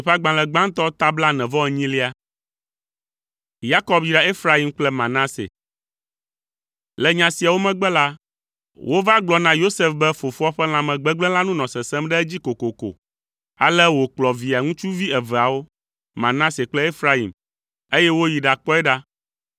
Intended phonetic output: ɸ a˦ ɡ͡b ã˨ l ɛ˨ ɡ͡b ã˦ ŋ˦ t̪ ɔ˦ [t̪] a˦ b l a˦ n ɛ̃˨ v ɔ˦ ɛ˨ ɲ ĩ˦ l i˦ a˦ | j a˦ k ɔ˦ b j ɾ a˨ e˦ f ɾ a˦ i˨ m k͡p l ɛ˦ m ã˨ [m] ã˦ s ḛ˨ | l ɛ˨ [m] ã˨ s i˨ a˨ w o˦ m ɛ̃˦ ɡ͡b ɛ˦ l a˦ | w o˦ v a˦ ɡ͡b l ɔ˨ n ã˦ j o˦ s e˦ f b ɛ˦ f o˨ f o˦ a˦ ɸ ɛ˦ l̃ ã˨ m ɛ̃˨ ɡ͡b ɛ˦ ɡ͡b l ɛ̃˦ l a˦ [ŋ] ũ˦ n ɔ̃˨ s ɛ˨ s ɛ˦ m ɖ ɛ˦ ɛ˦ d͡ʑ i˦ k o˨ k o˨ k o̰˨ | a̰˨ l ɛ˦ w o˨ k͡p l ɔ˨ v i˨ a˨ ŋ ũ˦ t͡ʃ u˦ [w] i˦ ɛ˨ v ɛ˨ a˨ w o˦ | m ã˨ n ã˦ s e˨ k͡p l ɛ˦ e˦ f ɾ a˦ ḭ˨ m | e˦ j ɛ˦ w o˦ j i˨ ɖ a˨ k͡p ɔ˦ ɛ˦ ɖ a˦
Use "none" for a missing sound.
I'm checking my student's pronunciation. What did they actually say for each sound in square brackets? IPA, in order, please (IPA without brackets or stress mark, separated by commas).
t̪, n, ɲ, n, v